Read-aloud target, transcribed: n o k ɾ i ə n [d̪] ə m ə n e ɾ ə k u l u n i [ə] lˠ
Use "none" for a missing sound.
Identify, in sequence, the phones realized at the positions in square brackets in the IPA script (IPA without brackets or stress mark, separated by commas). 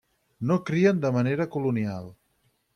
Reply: d̪, a